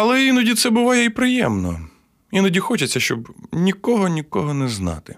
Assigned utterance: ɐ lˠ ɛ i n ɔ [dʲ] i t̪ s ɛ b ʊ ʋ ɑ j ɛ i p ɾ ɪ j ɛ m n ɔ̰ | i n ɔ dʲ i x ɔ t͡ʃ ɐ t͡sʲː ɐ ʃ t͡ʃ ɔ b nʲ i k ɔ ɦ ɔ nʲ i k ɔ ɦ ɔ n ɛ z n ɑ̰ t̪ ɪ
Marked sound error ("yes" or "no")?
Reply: no